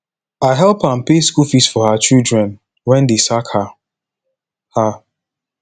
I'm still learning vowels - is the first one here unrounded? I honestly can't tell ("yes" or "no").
yes